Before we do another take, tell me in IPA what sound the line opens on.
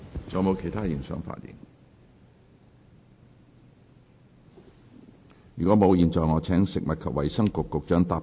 t͡s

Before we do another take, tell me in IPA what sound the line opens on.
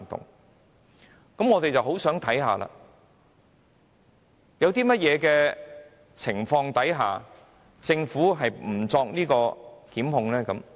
t̪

